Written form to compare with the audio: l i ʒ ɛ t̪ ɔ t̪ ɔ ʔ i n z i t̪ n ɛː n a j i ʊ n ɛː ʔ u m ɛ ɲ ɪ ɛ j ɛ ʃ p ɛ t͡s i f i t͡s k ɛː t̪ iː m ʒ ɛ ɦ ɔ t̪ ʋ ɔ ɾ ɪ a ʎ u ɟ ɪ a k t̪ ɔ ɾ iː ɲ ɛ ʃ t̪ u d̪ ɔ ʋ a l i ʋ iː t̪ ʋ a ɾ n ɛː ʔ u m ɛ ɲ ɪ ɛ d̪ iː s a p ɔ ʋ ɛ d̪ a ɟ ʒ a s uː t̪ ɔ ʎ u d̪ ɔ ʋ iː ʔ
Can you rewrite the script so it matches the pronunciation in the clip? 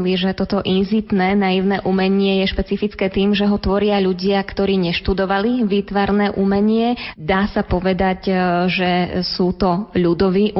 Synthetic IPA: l i ʒ ɛ t̪ ɔ t̪ ɔ ʔ i n z i t̪ n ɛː n a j i ʊ n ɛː ʔ u m ɛ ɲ ɪ ɛ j ɛ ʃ p ɛ t͡s i f i t͡s k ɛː t̪ iː m ʒ ɛ ɦ ɔ t̪ ʋ ɔ ɾ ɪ a ʎ u ɟ ɪ a k t̪ ɔ ɾ iː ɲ ɛ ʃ t̪ u d̪ ɔ ʋ a l i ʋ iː t̪ ʋ a ɾ n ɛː ʔ u m ɛ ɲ ɪ ɛ d̪ aː s a p ɔ ʋ ɛ d̪ a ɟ ʒ ɛ s uː t̪ ɔ ʎ u d̪ ɔ ʋ iː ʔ